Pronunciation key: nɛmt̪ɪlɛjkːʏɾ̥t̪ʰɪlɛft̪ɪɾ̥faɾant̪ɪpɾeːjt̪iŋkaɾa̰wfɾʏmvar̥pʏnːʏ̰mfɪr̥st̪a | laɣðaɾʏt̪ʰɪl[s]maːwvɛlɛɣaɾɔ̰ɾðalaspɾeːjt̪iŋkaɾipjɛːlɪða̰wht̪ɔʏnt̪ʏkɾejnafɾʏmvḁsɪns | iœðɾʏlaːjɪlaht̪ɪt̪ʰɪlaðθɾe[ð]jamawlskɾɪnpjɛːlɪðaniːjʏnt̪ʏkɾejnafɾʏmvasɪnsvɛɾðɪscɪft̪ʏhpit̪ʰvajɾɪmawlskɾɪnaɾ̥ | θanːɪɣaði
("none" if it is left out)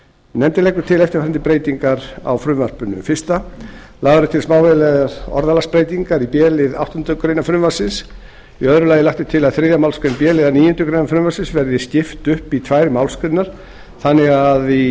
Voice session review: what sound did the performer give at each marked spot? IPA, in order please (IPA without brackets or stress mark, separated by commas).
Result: s, ð